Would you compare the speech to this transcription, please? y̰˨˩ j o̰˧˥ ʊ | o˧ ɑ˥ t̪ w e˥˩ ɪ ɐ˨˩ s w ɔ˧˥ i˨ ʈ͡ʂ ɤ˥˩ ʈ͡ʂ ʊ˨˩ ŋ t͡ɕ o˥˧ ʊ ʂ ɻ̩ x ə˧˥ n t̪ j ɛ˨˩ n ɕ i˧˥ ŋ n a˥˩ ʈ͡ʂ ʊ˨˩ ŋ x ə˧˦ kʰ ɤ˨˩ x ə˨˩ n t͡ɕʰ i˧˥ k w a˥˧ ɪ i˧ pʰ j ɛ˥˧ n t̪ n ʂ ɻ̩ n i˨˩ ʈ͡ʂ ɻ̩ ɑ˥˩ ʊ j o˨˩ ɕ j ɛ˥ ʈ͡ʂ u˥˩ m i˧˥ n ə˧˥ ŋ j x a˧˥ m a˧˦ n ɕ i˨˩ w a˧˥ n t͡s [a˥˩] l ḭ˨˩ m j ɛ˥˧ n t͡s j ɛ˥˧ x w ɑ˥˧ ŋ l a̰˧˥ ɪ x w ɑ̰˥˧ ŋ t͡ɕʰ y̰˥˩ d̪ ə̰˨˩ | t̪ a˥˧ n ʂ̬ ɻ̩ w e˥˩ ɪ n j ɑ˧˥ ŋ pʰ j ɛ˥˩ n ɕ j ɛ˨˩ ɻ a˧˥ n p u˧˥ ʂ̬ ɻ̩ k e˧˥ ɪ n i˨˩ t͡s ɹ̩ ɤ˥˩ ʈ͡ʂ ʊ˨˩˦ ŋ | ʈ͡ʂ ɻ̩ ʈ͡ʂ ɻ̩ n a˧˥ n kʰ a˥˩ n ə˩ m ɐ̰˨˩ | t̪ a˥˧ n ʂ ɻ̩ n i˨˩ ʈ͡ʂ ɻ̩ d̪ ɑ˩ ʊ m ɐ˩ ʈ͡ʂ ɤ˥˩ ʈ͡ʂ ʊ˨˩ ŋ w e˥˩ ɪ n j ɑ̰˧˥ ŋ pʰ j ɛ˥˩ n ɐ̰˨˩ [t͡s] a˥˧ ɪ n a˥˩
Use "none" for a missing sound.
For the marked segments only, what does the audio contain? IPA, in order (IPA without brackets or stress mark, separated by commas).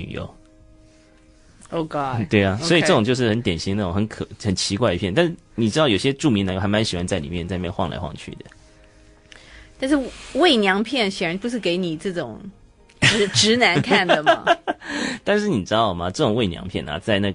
a˥˩, t͡s